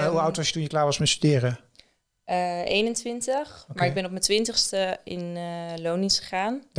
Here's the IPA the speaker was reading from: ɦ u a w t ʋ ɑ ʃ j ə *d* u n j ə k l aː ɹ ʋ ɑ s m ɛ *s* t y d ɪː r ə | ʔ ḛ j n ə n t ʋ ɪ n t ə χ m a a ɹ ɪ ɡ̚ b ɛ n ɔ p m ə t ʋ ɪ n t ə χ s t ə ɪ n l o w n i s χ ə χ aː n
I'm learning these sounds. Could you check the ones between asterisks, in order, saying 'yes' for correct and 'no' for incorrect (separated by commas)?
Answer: no, yes